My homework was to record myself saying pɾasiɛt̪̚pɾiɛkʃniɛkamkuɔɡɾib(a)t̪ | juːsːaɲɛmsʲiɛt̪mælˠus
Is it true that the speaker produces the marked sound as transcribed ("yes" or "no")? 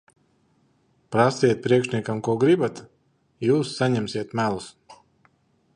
yes